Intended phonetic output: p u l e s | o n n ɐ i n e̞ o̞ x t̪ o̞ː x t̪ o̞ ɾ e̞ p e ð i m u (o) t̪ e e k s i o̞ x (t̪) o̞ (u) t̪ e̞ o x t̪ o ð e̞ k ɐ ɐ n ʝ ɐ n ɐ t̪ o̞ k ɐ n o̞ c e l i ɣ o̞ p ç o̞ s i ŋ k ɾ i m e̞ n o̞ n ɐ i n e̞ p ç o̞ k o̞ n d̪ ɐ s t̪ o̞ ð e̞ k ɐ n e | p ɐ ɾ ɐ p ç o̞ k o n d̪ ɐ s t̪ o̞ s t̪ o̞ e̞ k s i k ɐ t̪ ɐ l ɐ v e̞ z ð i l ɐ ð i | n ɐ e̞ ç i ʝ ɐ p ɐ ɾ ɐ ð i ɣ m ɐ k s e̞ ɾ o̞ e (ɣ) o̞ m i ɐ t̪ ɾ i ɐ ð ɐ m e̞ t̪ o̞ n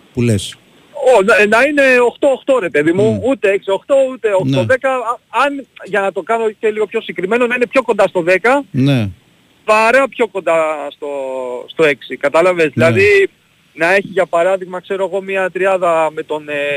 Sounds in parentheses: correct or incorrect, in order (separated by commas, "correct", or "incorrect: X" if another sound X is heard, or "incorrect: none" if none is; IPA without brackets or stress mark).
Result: incorrect: u, correct, correct, correct